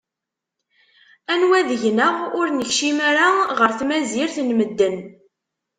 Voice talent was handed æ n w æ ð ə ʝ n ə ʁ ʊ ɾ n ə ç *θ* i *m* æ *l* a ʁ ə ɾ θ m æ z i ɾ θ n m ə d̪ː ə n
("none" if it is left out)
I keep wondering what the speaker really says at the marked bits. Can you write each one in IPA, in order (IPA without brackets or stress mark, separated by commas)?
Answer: ʃ, m, ɾ